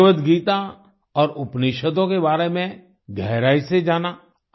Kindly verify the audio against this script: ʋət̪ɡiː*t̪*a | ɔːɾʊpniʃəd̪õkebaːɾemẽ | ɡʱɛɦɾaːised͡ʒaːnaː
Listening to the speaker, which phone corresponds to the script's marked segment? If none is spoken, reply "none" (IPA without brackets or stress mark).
t̪